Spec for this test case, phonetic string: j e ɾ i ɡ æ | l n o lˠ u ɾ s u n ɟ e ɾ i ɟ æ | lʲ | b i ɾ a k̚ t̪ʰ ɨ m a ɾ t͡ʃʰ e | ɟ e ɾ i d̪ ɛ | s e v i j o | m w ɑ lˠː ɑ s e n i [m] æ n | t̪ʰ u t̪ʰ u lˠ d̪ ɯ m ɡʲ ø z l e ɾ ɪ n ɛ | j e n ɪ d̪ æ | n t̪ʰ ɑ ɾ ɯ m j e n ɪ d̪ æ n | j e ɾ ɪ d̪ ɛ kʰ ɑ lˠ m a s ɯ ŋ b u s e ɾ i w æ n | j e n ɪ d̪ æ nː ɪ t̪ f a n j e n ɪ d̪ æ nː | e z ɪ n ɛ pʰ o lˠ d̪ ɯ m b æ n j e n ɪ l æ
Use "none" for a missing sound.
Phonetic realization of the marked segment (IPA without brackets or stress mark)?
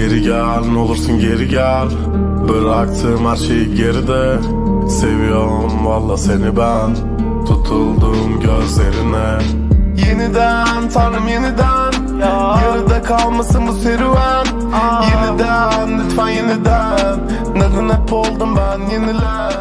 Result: b